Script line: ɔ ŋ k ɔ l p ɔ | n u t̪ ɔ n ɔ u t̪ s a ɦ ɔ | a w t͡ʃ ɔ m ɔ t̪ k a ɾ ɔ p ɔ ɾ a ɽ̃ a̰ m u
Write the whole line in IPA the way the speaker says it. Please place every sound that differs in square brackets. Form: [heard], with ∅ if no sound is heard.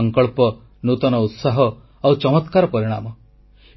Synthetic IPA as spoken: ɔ ŋ k ɔ [ɭ] p ɔ | n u t̪ ɔ n ɔ u t̪ s a ɦ ɔ | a w t͡ʃ ɔ m ɔ t̪ k a ɾ ɔ p ɔ ɾ [i] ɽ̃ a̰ m [ɔ]